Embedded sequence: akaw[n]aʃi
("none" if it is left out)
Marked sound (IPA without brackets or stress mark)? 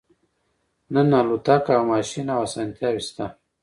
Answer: m